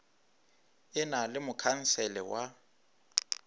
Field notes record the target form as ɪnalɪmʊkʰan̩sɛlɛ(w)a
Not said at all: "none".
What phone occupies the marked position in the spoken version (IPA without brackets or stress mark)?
w